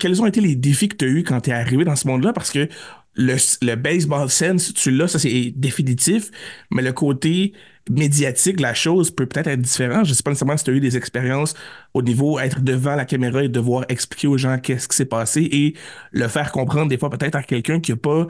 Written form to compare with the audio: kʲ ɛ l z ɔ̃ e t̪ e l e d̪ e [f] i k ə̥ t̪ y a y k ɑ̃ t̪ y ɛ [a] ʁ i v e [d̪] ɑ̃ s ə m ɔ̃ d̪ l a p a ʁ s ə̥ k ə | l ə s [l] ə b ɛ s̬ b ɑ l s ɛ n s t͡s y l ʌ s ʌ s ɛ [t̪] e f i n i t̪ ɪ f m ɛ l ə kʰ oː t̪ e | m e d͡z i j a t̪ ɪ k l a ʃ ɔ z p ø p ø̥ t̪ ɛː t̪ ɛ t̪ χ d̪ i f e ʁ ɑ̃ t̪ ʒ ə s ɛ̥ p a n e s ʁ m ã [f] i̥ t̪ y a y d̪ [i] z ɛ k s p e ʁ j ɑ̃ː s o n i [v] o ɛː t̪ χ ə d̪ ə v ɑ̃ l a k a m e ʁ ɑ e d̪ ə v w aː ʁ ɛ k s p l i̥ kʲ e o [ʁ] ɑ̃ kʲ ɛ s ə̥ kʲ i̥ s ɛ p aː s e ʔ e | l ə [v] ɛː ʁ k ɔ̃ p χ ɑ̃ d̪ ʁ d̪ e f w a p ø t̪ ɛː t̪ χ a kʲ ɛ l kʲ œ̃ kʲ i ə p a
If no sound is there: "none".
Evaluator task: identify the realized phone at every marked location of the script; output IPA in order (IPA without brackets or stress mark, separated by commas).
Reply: f, a, d̪, l, d̪, s, e, v, ʒ, f